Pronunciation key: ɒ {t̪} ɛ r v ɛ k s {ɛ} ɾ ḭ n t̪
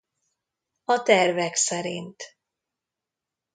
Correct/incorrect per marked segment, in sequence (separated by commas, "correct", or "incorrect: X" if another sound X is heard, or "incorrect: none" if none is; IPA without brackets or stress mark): correct, correct